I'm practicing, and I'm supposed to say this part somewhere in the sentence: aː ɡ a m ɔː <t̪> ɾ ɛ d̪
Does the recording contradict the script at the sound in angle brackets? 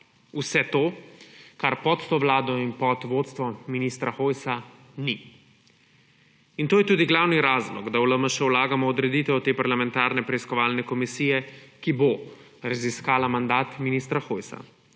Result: yes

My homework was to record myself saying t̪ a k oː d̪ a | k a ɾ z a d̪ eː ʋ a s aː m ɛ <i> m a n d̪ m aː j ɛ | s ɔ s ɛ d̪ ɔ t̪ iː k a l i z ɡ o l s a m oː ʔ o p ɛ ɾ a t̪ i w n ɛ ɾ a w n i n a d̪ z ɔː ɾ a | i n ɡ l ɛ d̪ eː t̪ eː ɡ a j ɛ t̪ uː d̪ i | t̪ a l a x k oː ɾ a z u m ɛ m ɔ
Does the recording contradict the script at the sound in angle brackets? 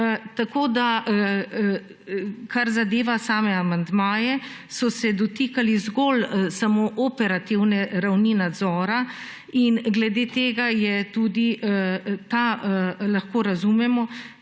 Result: yes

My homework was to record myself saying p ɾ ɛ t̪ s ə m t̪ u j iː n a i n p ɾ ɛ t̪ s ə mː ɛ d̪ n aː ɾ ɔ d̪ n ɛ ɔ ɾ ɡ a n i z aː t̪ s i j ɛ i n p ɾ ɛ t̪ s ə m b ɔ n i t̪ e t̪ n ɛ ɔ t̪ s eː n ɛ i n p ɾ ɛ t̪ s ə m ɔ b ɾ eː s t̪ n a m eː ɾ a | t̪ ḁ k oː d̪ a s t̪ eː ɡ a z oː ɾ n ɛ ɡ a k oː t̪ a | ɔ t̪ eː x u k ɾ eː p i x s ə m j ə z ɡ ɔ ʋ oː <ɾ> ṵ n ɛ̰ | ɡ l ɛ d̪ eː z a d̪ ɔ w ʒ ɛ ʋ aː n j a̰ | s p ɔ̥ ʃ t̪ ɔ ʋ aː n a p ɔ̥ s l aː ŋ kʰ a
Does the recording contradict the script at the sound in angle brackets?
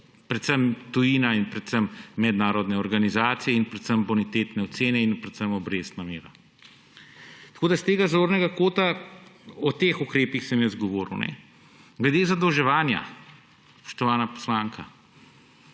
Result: no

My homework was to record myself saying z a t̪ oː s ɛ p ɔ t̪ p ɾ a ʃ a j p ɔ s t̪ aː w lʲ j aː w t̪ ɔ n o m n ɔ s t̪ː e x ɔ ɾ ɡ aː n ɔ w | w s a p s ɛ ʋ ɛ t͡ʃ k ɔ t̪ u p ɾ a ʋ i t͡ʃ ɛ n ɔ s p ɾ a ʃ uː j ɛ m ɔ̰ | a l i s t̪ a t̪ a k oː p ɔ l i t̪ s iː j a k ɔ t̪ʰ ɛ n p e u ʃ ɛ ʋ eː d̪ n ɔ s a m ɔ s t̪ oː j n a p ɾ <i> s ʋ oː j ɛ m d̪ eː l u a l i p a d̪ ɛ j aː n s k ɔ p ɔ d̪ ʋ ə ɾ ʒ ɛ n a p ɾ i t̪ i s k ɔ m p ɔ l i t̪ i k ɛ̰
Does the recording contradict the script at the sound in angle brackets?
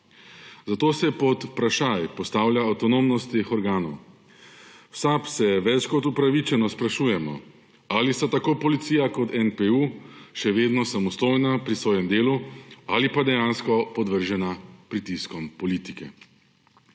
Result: no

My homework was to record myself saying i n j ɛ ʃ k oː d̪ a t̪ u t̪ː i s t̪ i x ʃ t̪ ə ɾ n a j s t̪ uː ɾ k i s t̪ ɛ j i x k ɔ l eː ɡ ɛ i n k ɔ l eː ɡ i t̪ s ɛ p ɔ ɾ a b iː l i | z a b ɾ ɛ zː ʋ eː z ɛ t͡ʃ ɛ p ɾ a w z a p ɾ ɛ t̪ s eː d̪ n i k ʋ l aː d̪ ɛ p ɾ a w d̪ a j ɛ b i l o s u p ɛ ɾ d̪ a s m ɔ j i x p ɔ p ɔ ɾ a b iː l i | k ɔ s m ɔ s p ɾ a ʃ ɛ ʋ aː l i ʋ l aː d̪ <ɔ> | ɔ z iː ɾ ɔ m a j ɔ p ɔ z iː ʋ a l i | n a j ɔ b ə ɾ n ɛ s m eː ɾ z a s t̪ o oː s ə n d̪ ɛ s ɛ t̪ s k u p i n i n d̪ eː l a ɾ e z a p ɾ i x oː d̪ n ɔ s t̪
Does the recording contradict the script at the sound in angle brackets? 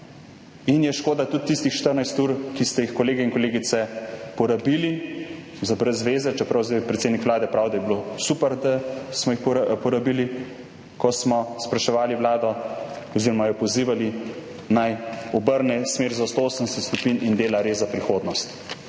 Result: no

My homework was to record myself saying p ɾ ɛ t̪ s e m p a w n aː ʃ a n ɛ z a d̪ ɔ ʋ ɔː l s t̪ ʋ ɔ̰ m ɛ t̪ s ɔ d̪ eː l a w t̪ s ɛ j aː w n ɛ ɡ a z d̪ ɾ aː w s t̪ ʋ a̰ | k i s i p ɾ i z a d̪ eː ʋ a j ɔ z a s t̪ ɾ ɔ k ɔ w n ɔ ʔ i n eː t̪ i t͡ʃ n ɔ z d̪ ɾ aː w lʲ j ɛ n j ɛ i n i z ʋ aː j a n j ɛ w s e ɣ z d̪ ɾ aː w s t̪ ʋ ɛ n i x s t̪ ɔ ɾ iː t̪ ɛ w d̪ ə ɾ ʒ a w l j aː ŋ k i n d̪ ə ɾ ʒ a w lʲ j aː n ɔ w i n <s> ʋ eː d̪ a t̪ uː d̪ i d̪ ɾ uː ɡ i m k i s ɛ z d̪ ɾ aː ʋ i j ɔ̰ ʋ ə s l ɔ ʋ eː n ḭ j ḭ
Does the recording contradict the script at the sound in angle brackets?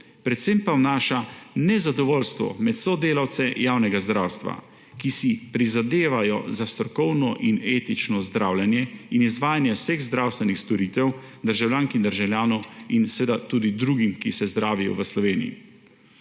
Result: no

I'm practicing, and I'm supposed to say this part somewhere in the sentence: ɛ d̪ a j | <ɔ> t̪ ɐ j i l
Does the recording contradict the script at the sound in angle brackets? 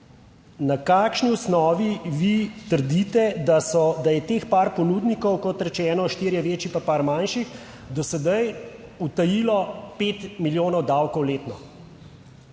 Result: yes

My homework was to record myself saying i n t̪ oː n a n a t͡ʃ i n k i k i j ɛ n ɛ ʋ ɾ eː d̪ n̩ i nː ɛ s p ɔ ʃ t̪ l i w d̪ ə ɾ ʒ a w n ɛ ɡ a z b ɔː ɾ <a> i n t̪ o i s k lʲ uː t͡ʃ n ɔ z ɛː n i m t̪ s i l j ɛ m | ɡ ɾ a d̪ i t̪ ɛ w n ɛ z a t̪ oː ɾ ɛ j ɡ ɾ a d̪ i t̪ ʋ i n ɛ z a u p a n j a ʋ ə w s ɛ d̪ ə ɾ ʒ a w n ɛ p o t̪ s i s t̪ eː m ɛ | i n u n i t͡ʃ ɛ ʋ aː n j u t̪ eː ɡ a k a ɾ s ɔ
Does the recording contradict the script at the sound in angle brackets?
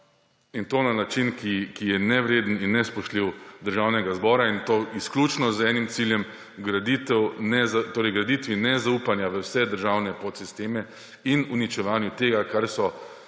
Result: no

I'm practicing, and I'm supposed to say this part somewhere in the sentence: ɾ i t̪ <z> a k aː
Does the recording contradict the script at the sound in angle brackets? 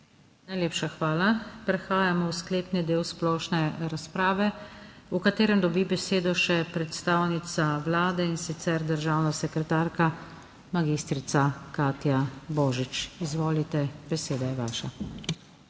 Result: yes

